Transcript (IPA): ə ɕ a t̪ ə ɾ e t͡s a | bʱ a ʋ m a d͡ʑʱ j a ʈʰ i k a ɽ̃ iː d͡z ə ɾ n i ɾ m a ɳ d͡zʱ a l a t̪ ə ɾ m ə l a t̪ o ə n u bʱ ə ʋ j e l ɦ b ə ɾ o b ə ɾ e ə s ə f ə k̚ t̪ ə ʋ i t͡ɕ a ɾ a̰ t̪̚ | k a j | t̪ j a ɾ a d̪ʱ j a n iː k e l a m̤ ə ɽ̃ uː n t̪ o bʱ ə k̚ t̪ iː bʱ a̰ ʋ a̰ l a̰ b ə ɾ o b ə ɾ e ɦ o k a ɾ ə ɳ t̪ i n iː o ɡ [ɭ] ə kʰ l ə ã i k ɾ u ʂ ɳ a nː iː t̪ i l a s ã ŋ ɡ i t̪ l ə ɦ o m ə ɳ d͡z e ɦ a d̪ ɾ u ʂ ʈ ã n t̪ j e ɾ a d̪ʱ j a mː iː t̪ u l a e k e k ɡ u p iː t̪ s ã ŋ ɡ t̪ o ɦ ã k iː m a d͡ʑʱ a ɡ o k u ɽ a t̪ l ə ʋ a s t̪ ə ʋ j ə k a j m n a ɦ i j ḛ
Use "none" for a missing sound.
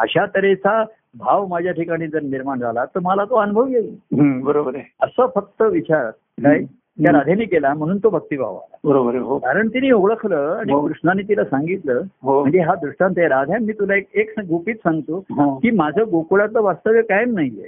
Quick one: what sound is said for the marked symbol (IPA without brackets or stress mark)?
ɭ